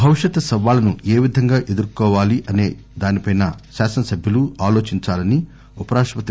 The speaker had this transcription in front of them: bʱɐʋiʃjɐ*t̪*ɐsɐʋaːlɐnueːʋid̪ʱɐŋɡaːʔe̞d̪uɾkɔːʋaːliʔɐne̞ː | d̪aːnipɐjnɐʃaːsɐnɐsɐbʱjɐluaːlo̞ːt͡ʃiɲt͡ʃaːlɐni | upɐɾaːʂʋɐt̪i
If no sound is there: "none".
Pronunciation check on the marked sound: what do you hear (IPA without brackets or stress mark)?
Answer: t̪